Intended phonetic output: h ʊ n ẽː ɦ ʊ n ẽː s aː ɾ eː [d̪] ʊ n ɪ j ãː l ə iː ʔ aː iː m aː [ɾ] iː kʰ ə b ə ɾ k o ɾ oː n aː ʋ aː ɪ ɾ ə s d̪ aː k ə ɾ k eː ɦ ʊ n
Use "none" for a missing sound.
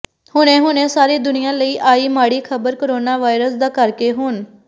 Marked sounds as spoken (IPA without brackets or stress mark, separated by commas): d̪, ɽ